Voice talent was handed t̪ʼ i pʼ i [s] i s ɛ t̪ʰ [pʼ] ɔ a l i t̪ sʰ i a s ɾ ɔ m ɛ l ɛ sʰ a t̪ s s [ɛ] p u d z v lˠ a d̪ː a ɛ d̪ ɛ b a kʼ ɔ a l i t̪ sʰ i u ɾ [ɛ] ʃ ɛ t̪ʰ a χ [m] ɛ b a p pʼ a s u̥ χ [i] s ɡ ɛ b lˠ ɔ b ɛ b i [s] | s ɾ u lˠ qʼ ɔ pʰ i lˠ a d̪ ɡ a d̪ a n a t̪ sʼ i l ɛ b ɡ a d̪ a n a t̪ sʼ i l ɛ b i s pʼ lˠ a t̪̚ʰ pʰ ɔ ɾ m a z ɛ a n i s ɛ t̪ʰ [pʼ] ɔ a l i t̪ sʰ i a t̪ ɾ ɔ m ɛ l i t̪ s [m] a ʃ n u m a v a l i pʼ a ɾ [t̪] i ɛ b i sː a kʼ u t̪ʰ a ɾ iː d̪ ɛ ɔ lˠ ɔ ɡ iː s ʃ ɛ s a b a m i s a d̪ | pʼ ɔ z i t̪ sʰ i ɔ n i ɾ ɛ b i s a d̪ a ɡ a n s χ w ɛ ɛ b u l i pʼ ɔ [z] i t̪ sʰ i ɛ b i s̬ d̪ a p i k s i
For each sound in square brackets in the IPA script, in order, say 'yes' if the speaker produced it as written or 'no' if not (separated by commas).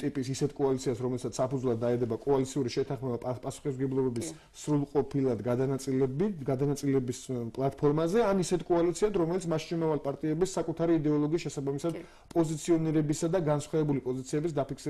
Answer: yes, no, no, no, yes, yes, yes, no, yes, no, yes